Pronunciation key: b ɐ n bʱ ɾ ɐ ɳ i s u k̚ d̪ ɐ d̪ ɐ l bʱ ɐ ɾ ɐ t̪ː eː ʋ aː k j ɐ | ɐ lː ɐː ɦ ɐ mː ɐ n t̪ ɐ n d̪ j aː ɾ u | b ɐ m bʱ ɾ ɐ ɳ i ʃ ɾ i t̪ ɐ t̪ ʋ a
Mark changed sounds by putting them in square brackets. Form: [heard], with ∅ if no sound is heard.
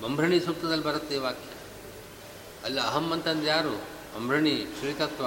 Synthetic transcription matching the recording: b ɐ [m] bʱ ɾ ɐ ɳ i s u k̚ [t̪] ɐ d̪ ɐ l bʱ ɐ ɾ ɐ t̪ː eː ʋ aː k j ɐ | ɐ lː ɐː ɦ ɐ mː ɐ n t̪ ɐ n d̪ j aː ɾ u | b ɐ m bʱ ɾ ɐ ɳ i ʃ ɾ i t̪ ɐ t̪ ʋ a